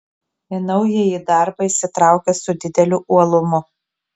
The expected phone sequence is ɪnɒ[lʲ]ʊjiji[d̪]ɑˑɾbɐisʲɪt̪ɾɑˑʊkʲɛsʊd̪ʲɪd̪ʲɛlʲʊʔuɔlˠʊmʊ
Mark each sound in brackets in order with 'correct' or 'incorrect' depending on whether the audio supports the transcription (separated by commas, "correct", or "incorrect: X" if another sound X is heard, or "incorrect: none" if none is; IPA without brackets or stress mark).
incorrect: none, correct